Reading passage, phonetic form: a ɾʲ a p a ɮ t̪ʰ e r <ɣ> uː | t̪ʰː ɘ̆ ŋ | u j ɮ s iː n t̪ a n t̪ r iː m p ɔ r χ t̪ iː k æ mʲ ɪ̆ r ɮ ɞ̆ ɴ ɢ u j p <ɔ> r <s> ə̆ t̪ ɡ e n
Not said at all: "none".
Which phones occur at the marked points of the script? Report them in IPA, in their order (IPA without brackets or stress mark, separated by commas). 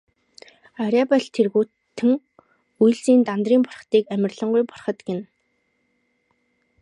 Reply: ɣ, ɔ, χ